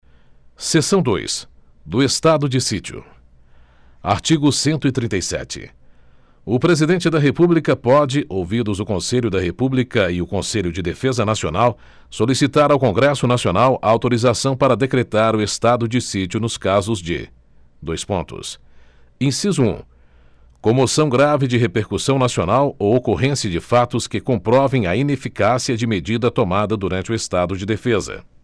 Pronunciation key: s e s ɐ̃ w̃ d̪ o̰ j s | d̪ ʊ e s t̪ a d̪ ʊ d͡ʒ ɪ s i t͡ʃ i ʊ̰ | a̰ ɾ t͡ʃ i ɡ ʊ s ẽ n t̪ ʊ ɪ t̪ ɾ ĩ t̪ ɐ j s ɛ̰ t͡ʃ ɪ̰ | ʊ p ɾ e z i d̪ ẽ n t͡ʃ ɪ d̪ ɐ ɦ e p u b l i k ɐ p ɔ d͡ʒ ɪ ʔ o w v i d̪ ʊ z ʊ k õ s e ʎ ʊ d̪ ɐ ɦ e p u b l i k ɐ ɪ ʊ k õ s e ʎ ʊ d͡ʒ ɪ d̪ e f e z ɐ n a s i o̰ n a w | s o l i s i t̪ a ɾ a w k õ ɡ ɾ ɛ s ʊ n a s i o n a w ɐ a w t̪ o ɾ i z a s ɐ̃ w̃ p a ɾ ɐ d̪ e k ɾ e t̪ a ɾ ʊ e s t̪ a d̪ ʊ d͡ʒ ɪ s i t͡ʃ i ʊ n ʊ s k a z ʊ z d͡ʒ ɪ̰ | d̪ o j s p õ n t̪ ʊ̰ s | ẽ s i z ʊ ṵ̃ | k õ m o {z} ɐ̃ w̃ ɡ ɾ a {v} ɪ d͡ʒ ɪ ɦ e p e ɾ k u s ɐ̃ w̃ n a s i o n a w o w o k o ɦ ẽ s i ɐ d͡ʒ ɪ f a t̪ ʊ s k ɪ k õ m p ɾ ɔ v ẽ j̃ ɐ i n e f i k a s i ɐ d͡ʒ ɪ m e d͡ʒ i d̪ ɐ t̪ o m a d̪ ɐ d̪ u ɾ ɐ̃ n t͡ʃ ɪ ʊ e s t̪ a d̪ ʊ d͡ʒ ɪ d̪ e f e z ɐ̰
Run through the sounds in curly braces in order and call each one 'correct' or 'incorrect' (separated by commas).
incorrect, correct